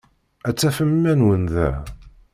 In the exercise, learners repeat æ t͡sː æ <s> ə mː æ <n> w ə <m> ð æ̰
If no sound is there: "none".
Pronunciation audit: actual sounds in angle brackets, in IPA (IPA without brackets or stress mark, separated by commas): f, n, n